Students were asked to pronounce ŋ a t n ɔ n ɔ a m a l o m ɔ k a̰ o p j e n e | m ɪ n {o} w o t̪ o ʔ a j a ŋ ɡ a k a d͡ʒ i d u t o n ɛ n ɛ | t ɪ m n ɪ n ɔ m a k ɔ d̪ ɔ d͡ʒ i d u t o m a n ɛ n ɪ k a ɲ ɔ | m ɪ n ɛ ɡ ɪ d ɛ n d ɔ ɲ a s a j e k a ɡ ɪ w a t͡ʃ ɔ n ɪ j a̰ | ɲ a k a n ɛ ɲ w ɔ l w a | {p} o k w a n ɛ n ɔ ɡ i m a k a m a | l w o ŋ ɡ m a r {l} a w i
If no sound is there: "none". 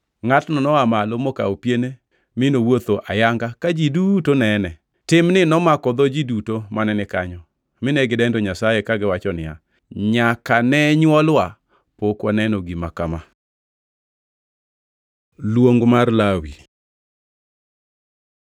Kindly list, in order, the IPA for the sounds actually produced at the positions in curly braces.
o, p, l

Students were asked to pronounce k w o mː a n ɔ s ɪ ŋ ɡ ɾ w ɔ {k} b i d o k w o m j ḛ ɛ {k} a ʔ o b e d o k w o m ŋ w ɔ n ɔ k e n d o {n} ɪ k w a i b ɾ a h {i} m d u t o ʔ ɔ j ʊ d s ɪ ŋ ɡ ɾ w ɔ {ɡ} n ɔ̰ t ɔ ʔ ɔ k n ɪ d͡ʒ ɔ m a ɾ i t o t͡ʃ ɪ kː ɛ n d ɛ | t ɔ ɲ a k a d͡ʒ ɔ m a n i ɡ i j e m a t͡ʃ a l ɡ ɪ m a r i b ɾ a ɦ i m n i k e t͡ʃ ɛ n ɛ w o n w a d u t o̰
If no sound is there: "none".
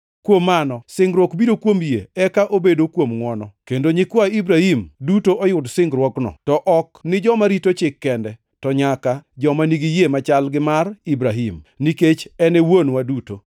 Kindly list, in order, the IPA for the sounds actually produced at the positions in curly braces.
k, k, ɲ, i, k

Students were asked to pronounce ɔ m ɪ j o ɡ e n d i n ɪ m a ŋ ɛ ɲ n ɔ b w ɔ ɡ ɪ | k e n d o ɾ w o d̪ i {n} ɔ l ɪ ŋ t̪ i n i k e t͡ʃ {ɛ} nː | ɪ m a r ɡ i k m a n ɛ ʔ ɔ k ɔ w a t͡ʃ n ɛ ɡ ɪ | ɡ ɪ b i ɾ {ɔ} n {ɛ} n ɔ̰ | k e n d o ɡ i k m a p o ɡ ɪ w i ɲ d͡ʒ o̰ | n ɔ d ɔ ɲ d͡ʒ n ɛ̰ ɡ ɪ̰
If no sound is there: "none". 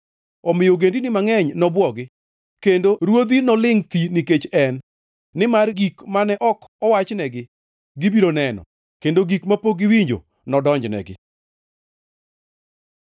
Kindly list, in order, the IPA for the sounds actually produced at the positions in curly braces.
n, ɛ, o, ɛ

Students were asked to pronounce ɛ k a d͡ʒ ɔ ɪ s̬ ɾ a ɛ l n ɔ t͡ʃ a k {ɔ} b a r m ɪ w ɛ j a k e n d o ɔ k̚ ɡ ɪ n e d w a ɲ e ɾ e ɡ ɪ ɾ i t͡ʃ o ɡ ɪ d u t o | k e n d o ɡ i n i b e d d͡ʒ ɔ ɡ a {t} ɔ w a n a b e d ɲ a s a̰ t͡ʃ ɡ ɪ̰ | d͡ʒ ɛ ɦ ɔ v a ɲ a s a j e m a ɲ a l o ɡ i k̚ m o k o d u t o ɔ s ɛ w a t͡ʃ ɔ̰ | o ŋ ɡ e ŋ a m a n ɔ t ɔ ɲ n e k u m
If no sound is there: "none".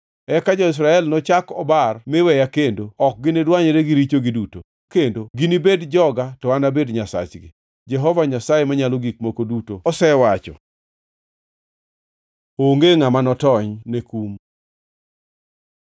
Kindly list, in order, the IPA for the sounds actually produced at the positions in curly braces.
ɔ, t

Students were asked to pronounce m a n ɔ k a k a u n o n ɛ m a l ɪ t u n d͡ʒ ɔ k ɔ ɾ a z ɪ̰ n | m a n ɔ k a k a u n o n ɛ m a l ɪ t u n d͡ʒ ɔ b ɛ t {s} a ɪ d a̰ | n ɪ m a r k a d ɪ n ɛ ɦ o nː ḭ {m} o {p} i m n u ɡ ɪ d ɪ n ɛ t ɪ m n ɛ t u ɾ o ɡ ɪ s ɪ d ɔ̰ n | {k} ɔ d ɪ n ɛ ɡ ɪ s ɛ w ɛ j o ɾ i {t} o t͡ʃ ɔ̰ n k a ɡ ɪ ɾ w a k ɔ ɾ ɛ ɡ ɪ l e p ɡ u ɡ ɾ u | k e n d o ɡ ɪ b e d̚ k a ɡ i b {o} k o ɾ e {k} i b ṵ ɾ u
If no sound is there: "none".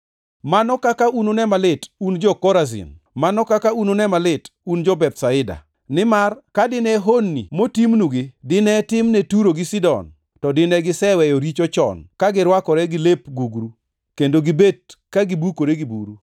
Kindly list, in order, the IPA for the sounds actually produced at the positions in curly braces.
s, m, t, t, t͡ʃ, u, ɡ

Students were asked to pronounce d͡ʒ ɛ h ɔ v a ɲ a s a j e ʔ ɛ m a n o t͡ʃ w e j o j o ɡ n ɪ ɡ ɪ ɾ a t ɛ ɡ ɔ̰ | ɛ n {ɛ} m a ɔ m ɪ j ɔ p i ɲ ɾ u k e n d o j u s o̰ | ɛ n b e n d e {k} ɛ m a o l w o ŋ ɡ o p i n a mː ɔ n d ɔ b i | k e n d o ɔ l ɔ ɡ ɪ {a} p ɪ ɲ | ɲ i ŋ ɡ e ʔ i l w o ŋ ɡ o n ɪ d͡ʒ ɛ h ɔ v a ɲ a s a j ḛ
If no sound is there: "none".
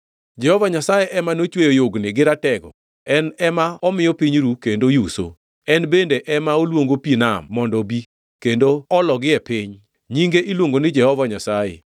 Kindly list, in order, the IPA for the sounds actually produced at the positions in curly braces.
ɛ, ʔ, ɛ

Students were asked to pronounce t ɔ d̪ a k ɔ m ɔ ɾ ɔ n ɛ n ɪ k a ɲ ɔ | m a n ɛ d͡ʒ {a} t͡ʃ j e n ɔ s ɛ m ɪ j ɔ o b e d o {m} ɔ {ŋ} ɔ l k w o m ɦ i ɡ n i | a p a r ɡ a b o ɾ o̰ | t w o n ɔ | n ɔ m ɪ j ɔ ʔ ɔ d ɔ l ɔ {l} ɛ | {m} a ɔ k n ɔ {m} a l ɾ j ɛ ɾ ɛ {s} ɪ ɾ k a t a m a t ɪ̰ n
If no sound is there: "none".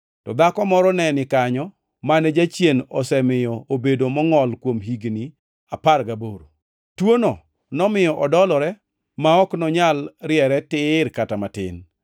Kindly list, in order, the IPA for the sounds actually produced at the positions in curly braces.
a, m, ŋ, ɾ, m, ɲ, t

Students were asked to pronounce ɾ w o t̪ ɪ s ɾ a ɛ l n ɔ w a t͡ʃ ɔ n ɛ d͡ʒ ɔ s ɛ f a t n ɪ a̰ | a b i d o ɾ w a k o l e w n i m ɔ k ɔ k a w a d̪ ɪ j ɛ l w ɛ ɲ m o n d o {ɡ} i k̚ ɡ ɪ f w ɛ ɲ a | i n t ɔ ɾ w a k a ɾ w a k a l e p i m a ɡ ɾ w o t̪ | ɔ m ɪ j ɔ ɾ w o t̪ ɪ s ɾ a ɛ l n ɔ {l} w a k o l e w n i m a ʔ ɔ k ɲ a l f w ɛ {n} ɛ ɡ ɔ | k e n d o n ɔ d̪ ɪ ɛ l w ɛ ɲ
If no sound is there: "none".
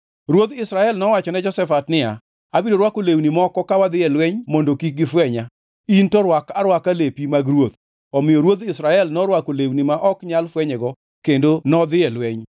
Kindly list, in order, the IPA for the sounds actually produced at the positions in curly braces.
k, ɾ, ɲ

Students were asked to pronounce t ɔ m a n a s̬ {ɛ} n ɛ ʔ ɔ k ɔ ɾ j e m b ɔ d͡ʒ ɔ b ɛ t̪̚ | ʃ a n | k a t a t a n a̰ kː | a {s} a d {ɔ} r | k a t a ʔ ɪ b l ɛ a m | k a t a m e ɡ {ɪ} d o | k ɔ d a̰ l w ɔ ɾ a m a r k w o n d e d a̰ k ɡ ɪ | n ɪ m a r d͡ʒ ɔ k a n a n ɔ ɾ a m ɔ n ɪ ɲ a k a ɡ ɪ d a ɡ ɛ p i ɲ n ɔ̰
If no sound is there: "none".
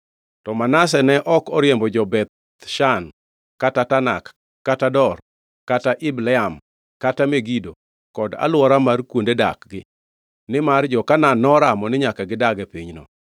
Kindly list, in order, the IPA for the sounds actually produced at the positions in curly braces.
ɛ, t, ɔ, i

